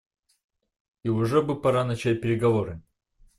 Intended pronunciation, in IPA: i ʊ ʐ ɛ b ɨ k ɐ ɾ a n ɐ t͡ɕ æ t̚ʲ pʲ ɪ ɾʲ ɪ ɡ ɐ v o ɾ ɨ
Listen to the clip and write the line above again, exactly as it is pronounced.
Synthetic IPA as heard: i ʊ ʐ ɛ b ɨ p ɐ ɾ a n ɐ t͡ɕ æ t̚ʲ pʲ ɪ ɾʲ ɪ ɡ ɐ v o ɾ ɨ

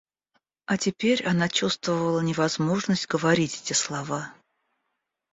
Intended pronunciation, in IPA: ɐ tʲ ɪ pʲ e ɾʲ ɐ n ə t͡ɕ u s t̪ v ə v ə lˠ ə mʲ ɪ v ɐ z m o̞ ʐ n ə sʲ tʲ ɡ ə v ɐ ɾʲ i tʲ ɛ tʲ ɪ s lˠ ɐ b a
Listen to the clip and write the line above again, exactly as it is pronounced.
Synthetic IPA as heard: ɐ tʲ ɪ pʲ e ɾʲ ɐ n a t͡ɕ u s t̪ v ə v ə lˠ ə nʲ ɪ v ɐ z m o̞ ʐ n ə sʲ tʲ ɡ ə v ɐ ɾʲ i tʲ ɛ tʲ ɪ s lˠ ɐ v a

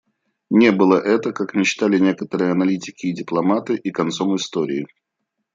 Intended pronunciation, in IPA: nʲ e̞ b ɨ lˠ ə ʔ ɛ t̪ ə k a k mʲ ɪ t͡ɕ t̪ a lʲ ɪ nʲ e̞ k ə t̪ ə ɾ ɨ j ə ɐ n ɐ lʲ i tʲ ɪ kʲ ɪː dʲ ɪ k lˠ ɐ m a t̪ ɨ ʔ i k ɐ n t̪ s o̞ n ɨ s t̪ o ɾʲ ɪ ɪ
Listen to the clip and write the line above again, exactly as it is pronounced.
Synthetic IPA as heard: nʲ e̞ b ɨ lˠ ə ʔ ɛ t̪ ə k a k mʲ ɪ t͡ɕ t̪ a lʲ ɪ nʲ e̞ k ə t̪ ə ɾ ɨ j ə ɐ n ɐ lʲ i tʲ ɪ kʲ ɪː dʲ ɪ p lˠ ɐ m a t̪ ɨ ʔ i k ɐ n t̪ s o̞ m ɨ s t̪ o ɾʲ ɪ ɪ

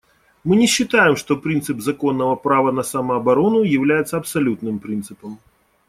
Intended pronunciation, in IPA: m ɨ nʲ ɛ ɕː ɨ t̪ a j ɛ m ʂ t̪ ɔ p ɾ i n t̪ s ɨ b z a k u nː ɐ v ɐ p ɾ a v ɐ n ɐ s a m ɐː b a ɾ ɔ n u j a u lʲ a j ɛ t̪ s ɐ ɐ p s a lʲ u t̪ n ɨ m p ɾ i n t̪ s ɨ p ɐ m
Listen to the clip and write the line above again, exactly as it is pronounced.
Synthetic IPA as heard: m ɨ nʲ ɛ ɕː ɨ t̪ a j ɛ m ʂ t̪ ɔ p ɾ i n t̪ s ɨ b z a k ɔ nː ɐ v ɐ p ɾ a v ɐ n ɐ s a m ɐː b a ɾ ɔ n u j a w lʲ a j ɛ t̪ s ɐ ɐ p s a lʲ u t̪ n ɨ m p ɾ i n t̪ s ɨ p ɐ m

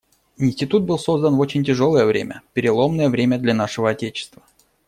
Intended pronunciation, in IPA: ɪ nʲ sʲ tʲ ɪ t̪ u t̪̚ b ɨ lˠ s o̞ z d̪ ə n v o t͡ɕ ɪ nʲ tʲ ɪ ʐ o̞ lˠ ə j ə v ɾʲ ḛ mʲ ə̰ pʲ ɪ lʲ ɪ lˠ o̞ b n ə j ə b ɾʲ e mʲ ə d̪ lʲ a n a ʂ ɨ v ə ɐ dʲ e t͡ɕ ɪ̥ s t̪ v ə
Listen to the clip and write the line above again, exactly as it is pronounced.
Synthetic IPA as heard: ɪ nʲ sʲ tʲ ɪ t̪ u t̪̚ b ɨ lˠ s o̞ z d̪ ə n v o t͡ɕ ɪ nʲ tʲ ɪ ʐ o̞ lˠ ə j ə v ɾʲ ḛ mʲ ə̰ pʲ ɪ ɾʲ ɪ lˠ o̞ m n ə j ə v ɾʲ e mʲ ə d̪ lʲ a n a ʂ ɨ v ə ɐ tʲ e t͡ɕ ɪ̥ s t̪ v ə

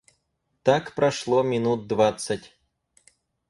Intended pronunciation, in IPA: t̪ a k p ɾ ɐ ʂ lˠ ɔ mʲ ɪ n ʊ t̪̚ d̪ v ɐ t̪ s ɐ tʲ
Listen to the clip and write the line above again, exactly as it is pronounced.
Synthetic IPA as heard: t̪ a k p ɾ ɐ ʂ lˠ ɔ mʲ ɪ n u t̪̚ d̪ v a t̪ s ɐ tʲ

